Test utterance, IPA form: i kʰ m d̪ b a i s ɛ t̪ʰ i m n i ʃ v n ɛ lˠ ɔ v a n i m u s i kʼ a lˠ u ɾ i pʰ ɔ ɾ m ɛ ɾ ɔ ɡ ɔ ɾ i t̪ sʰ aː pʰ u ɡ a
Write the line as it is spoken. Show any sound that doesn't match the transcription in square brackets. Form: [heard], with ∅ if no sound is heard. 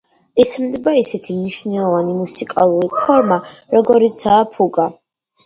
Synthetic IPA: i kʰ m d̪ b a i s ɛ t̪ʰ i m n i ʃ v n ɛ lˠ ɔ v a n i m u s i kʼ a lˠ u ɾ i pʰ ɔ ɾ m [a] ɾ ɔ ɡ ɔ ɾ i t̪ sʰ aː pʰ u ɡ a